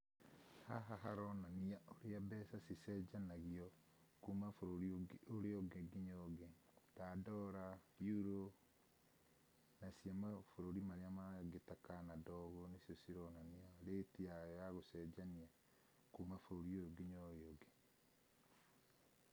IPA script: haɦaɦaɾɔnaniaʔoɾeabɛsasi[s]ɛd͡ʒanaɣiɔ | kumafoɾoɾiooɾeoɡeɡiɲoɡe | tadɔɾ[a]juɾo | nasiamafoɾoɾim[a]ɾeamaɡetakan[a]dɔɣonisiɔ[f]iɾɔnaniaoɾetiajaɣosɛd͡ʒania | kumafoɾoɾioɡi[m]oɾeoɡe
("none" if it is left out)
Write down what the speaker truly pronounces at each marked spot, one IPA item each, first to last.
s, a, a, a, s, ɲ

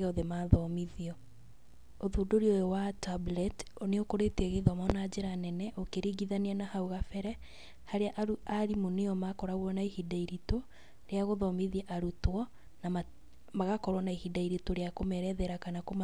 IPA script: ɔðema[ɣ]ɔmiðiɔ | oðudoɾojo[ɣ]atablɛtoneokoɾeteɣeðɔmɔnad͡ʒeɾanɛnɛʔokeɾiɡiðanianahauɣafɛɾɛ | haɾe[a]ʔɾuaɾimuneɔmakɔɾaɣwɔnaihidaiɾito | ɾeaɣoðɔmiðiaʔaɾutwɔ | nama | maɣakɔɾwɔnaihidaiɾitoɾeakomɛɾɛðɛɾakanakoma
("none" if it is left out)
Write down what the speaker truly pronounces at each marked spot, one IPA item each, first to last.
ð, w, a

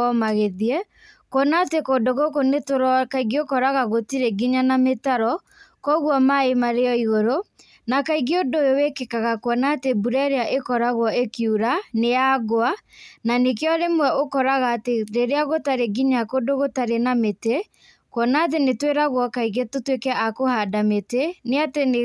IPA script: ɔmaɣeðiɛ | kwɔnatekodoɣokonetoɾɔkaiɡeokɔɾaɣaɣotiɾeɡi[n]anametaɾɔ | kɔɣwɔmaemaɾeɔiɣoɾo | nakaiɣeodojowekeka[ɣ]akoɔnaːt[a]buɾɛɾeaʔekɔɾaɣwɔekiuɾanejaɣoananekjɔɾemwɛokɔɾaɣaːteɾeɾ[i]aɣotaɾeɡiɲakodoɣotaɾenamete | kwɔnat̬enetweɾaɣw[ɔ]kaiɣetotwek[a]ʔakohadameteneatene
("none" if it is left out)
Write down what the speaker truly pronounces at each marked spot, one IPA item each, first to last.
ɲ, ɣ, e, e, ɔ, ɛ

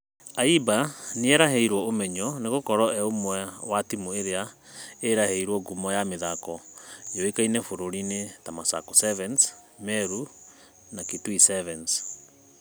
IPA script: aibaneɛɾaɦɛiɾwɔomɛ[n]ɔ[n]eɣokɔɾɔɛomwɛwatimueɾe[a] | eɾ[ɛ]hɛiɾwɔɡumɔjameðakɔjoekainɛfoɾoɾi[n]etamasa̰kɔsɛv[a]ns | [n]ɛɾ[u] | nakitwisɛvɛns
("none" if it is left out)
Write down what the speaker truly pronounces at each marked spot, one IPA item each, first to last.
ɲ, n, a, a, n, ɛ, m, u

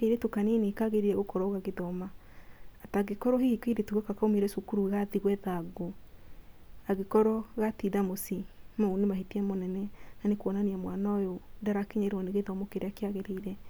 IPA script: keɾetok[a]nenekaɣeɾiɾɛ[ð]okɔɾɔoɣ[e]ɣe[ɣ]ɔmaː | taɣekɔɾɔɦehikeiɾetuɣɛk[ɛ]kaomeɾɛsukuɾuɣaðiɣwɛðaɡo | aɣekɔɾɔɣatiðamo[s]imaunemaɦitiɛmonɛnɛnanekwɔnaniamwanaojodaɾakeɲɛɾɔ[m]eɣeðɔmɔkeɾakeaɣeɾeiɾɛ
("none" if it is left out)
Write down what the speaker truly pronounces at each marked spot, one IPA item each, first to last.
a, ɣ, a, ð, a, s, n

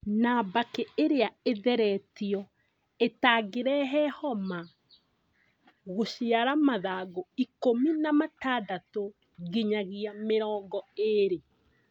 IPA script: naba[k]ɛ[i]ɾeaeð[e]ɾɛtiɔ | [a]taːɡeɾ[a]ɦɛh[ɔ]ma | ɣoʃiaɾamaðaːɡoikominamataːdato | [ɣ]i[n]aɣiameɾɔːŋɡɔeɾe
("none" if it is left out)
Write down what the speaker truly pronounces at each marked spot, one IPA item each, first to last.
k, e, ɛ, e, ɛ, ɔ, ɣ, ɲ

